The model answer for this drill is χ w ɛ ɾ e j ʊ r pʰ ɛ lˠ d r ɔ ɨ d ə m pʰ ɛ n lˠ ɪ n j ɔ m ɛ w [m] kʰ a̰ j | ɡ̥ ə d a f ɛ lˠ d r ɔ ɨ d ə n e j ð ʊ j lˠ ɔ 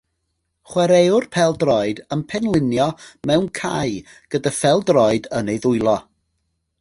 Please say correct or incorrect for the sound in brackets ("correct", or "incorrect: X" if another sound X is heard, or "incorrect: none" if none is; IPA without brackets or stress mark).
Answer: incorrect: n